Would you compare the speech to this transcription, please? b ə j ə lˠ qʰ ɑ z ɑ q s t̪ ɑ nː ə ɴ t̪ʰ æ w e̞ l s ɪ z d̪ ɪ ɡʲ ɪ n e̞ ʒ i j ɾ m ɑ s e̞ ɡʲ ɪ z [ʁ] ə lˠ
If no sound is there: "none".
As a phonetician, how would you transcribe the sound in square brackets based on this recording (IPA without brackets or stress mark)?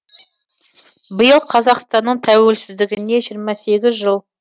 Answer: ʒ